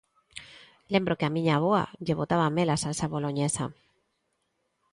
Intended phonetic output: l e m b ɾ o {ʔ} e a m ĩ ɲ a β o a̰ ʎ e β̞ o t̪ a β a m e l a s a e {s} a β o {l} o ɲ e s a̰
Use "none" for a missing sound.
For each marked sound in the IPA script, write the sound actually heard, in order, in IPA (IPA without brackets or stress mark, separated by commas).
k, s, l